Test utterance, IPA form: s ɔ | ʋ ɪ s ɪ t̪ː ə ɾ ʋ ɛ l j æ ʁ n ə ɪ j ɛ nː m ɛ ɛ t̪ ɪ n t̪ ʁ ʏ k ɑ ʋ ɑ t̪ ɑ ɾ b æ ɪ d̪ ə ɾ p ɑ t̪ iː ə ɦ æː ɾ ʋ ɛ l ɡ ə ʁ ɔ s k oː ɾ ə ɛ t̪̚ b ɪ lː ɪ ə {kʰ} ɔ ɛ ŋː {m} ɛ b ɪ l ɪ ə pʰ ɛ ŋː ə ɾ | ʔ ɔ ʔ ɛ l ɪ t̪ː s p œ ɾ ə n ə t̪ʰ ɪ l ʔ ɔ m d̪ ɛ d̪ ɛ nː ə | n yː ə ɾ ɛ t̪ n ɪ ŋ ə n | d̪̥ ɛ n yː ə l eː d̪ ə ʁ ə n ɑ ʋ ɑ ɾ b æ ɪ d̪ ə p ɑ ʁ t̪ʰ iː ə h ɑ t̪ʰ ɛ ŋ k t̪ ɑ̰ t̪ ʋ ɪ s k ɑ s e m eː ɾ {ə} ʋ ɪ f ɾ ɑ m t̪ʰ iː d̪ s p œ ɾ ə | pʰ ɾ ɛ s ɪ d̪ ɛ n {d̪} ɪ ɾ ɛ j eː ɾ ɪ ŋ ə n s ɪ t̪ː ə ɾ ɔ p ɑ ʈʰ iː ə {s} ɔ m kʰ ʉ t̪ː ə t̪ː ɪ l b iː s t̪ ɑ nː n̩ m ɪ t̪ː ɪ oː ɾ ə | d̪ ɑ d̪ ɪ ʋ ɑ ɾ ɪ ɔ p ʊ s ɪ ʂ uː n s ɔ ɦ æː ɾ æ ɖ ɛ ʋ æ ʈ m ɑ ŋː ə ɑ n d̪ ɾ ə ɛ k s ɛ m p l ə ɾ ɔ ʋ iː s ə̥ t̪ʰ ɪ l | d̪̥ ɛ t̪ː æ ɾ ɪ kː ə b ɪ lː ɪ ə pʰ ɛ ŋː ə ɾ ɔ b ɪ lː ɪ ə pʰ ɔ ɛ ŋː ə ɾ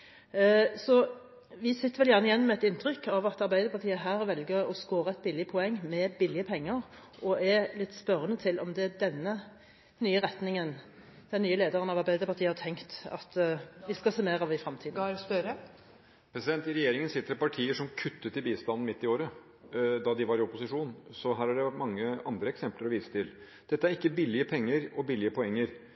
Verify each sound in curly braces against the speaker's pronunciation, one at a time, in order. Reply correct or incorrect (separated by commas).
incorrect, correct, incorrect, incorrect, incorrect